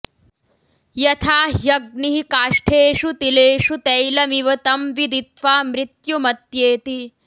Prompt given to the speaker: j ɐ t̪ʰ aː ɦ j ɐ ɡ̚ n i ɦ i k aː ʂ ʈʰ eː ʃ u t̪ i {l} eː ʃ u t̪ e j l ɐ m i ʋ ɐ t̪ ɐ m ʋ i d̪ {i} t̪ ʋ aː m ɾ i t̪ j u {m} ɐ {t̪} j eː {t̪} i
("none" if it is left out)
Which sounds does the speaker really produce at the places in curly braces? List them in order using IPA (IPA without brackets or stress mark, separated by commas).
l, i, m, t̪, t̪